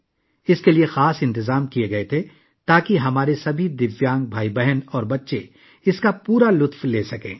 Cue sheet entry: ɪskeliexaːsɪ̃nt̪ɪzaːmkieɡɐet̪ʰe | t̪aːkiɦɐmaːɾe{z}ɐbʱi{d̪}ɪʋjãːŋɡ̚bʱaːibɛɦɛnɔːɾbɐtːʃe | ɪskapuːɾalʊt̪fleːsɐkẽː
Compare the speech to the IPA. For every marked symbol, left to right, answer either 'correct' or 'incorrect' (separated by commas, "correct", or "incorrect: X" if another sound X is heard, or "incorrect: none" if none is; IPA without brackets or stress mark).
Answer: incorrect: s, correct